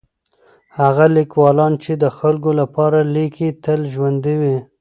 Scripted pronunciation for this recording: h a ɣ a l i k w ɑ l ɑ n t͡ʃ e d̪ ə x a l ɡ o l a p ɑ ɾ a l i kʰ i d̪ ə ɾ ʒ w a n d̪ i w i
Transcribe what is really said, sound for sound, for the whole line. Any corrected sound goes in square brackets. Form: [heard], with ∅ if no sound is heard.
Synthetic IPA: h a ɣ a l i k w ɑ l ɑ n t͡ʃ e d̪ ə x a l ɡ o l a p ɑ ɾ a l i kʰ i [t̪] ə [l] ʒ w a n d̪ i w i